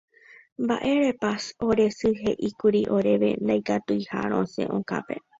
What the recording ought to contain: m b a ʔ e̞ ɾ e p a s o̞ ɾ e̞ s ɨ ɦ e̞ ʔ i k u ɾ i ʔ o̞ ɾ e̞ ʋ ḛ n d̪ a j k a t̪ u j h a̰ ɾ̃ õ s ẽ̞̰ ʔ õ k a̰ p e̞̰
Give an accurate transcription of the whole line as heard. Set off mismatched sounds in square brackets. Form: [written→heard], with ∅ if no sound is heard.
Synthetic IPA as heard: m b a ʔ e̞ ɾ e p a s o̞ ɾ e̞ s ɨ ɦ e̞ ʔ i k u ɾ i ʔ o̞ ɾ e̞ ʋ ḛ n d̪ a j k a t̪ u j h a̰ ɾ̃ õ s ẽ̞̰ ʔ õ k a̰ p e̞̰

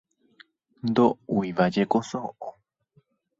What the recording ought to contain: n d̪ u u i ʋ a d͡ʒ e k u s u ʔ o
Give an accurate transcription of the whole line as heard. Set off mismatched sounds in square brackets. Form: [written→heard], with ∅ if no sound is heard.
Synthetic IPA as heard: n d̪ [u→o] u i ʋ a d͡ʒ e k [u→o] s [u→o] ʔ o

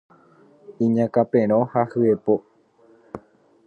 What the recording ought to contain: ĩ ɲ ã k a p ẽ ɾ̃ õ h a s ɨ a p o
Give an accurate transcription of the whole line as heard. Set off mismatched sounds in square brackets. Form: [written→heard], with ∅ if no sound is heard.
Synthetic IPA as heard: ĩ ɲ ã k a p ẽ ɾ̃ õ h a [s→h] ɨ [a→e] p o

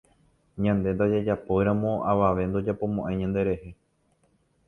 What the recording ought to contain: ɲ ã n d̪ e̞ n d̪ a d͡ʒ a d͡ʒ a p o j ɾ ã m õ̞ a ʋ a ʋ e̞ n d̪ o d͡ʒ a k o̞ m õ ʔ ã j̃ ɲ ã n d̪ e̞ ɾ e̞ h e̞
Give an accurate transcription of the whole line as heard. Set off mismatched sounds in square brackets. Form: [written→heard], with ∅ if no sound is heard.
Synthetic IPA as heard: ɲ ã n d̪ e̞ n d̪ a d͡ʒ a d͡ʒ a p o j ɾ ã m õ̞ a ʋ a ʋ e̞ n d̪ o d͡ʒ a [k→p] o̞ m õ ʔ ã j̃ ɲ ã n d̪ e̞ ɾ e̞ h e̞

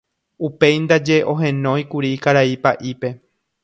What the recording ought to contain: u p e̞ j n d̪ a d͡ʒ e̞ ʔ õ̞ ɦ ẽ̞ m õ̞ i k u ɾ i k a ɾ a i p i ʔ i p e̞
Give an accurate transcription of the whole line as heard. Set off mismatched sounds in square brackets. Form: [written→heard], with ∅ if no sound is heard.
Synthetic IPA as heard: u p e̞ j n d̪ a d͡ʒ e̞ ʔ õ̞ ɦ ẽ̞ [m→n] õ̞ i k u ɾ i k a ɾ a i p [i→a] ʔ i p e̞

